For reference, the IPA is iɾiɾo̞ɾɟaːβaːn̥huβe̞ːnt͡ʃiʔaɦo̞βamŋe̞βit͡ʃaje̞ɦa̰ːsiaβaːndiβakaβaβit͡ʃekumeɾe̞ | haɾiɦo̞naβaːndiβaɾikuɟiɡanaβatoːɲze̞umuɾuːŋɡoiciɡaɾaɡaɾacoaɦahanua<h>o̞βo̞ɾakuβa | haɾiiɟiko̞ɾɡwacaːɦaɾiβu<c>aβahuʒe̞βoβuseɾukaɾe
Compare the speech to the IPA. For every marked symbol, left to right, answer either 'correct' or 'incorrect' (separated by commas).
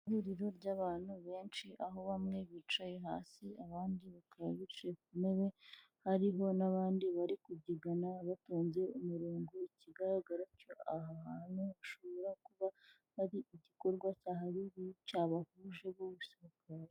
incorrect, correct